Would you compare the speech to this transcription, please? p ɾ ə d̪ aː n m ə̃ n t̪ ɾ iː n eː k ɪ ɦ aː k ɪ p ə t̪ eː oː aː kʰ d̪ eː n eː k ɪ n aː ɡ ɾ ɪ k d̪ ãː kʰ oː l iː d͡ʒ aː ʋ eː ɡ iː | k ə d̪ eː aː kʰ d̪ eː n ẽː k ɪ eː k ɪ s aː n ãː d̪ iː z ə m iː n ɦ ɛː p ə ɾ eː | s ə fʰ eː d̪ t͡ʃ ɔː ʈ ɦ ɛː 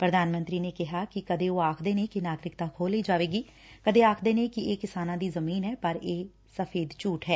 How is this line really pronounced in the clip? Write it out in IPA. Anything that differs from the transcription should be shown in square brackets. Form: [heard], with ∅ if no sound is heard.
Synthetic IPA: p ɾ ə d̪ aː n m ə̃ n t̪ ɾ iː n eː k ɪ ɦ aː k ɪ [k] ə [d̪] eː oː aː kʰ d̪ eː n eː k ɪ n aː ɡ ɾ ɪ k [t̪] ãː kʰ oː l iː d͡ʒ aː ʋ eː ɡ iː | k ə d̪ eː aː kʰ d̪ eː n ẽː k ɪ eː k ɪ s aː n ãː d̪ iː z ə m iː n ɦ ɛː p ə ɾ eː | s ə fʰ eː d̪ t͡ʃ [uː] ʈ ɦ ɛː

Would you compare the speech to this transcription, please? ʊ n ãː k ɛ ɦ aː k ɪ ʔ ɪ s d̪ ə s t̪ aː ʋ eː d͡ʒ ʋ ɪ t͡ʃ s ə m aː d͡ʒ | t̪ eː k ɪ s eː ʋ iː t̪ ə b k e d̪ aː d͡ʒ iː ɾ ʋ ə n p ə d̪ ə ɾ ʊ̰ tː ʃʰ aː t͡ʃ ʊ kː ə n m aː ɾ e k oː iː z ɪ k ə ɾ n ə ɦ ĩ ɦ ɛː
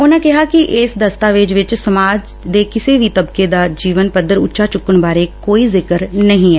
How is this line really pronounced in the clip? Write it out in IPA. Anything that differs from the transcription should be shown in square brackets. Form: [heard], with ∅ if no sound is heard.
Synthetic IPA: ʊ n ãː k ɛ ɦ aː k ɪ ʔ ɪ s d̪ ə s t̪ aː ʋ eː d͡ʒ ʋ ɪ t͡ʃ s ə m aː d͡ʒ | [d̪] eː k ɪ s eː ʋ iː t̪ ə b k e d̪ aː d͡ʒ iː [∅] ʋ ə n p ə d̪ ə ɾ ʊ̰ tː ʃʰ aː t͡ʃ ʊ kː ə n [b] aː ɾ e k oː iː z ɪ k ə ɾ n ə ɦ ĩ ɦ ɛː

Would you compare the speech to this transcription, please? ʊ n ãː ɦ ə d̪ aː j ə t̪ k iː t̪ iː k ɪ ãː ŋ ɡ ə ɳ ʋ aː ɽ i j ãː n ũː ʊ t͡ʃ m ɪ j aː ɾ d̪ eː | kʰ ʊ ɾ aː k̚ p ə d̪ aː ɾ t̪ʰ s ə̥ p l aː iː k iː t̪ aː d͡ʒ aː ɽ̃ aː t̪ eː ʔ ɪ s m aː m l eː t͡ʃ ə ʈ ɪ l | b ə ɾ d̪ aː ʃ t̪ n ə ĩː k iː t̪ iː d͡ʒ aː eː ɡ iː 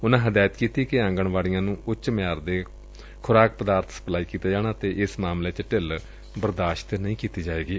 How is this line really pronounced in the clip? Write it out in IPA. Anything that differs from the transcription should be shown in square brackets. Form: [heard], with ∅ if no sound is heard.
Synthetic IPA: ʊ n ãː ɦ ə d̪ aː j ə t̪ k iː t̪ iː k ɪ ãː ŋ ɡ ə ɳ ʋ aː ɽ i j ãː n ũː ʊ t͡ʃ m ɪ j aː ɾ d̪ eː | kʰ ʊ ɾ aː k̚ p ə d̪ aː ɾ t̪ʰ s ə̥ p l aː iː k iː t̪ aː d͡ʒ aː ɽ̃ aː t̪ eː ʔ ɪ s m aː m l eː t͡ʃ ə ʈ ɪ l | b ə ɾ d̪ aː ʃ t̪ n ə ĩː k iː t̪ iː d͡ʒ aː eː ɡ iː

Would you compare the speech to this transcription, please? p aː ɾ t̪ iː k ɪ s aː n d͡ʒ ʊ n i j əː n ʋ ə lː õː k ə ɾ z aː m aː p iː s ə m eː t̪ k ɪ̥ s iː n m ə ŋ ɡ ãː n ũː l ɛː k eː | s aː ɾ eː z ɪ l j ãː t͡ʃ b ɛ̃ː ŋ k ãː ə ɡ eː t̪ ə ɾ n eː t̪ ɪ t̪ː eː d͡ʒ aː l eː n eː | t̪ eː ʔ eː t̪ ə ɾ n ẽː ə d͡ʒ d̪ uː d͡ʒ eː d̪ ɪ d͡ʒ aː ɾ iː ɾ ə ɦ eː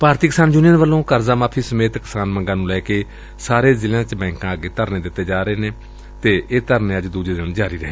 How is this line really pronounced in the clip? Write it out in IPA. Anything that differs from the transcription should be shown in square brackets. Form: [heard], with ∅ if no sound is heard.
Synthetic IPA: p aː ɾ t̪ iː k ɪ s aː n d͡ʒ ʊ n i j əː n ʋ ə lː õː k ə ɾ z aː m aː [pʰ] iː s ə m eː t̪ k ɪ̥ s [aː] n m ə ŋ ɡ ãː n ũː l ɛː k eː | s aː ɾ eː z ɪ l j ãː t͡ʃ b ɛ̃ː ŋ k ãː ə ɡ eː t̪ ə ɾ n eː [d̪] ɪ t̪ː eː d͡ʒ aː [ɾ] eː n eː | t̪ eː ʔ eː t̪ ə ɾ n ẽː ə d͡ʒ d̪ uː d͡ʒ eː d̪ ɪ d͡ʒ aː ɾ iː ɾ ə ɦ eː

